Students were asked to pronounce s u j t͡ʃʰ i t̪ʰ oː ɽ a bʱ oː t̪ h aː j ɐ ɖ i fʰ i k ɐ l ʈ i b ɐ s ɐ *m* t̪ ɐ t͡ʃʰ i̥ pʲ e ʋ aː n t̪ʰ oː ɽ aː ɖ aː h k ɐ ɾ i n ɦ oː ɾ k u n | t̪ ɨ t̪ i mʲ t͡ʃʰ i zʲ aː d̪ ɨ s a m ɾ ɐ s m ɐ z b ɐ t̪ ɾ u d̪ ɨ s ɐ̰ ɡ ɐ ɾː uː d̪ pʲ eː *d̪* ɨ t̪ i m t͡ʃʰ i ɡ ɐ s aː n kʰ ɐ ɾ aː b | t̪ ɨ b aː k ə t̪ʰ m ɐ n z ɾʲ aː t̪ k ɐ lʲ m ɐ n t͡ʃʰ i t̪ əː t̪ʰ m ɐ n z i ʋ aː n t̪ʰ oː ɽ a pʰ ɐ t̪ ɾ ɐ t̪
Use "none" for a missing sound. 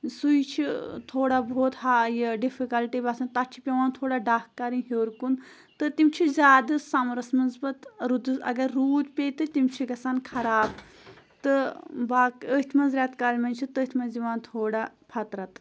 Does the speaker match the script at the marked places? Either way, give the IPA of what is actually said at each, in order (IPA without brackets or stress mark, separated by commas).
n, t̪